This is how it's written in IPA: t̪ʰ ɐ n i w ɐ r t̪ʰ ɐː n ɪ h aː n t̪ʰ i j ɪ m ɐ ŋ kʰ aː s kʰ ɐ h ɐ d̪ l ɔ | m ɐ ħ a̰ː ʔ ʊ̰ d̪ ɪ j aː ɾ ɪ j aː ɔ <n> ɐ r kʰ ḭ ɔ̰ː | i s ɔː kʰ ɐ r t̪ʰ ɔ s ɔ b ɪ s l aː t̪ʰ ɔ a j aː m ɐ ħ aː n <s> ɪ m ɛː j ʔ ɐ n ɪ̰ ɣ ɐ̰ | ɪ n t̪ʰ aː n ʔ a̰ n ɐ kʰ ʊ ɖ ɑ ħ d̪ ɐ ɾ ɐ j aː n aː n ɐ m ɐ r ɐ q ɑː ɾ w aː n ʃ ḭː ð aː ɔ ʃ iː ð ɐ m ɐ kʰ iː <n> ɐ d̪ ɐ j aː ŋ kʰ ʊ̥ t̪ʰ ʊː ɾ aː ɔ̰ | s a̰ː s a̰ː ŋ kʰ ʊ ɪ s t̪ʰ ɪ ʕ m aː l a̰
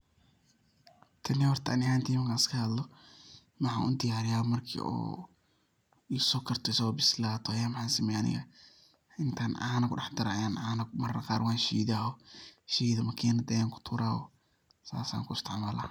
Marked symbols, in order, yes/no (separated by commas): no, yes, yes